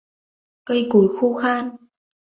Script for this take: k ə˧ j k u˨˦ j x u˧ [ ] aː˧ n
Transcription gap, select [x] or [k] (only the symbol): x